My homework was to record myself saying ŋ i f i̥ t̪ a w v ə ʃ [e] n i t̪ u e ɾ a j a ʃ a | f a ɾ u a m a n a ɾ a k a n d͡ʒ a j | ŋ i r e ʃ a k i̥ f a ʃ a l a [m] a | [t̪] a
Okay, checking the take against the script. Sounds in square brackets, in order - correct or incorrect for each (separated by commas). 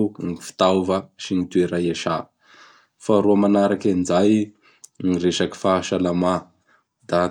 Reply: incorrect, correct, incorrect